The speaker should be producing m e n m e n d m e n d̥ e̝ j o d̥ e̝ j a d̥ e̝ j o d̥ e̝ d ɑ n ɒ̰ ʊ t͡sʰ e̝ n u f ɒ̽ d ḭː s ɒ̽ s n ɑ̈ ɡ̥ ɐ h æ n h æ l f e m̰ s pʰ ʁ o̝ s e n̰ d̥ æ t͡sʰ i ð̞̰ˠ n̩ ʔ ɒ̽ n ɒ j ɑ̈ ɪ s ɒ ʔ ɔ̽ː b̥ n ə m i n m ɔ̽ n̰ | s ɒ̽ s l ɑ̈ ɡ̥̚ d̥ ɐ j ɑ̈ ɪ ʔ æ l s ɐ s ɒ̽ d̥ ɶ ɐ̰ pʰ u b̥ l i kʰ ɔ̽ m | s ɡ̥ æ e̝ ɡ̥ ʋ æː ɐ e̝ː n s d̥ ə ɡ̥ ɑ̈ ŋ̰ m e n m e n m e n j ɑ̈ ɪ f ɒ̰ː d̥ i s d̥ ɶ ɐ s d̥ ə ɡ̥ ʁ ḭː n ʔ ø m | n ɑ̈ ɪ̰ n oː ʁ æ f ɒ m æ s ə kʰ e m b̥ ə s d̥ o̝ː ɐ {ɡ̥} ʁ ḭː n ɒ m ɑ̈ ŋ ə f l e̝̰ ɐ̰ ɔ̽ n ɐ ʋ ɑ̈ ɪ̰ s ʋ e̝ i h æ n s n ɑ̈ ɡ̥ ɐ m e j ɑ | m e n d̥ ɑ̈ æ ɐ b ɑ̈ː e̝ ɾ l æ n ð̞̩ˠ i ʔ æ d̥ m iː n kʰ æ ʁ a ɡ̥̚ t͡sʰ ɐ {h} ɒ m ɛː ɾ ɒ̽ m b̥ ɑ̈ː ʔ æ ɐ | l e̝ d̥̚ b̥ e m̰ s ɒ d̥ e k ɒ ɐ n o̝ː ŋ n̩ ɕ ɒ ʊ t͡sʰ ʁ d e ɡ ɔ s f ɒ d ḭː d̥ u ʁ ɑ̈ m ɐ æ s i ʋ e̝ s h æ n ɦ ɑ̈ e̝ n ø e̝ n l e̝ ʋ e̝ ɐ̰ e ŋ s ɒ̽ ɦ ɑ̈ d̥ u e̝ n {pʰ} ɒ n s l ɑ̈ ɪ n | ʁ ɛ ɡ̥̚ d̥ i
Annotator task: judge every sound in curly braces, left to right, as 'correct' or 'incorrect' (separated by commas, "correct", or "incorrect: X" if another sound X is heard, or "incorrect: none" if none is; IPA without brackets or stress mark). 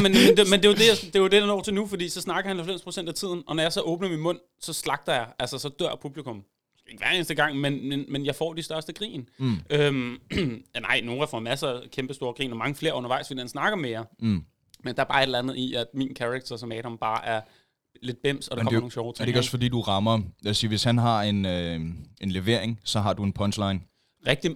correct, incorrect: s, correct